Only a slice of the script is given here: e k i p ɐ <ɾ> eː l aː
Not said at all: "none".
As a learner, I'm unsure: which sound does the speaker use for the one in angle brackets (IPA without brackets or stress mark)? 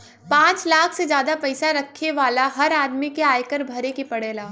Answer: ɽ